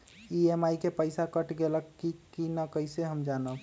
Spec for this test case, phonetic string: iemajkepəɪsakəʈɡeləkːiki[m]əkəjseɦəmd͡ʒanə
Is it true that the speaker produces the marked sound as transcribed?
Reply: no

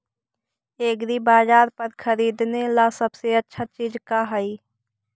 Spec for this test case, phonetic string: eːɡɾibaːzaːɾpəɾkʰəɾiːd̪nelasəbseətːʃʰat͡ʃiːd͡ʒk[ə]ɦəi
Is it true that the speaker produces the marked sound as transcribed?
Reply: no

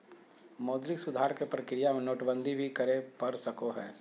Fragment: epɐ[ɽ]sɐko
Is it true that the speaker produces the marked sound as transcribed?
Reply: no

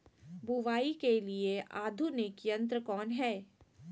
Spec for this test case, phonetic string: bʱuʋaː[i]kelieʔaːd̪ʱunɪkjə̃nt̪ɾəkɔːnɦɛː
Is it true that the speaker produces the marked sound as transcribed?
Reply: yes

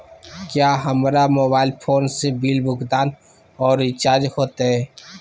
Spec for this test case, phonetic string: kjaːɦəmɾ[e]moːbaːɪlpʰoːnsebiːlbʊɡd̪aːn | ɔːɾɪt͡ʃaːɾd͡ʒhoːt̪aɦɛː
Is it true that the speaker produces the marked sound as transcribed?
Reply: no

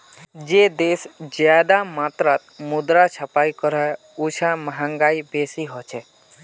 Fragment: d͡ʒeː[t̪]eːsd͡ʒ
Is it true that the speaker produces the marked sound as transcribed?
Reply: no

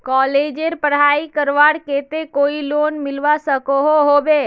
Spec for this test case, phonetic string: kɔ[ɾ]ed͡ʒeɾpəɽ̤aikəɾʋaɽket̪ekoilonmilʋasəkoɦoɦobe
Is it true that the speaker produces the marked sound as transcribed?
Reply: no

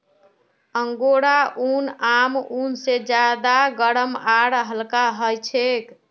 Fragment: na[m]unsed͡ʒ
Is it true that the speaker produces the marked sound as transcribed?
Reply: yes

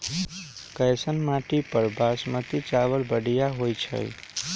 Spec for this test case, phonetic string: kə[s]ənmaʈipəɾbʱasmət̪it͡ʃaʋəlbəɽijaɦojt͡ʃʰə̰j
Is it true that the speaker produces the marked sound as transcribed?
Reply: yes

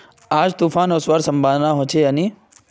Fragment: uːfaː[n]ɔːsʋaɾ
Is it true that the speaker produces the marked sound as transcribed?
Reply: yes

